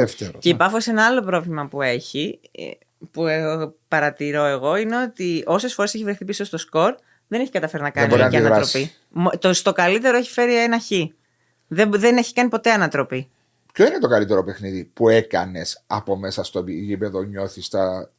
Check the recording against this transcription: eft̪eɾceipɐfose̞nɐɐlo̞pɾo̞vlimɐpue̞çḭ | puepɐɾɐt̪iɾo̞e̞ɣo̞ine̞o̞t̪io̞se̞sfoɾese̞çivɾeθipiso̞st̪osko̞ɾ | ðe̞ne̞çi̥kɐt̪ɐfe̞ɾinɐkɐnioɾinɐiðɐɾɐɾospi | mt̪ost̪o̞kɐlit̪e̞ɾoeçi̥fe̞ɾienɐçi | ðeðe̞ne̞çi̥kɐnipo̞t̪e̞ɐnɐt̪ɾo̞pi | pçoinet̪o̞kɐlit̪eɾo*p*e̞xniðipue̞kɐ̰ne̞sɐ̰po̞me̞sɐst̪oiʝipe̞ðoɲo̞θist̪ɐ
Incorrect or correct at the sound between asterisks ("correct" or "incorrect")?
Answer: correct